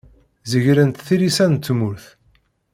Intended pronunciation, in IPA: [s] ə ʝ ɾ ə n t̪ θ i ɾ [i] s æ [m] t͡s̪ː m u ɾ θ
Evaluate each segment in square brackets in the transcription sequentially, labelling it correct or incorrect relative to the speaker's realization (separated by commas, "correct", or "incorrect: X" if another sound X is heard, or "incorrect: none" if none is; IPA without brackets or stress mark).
incorrect: z, correct, incorrect: n